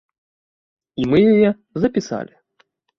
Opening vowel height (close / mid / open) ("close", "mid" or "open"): close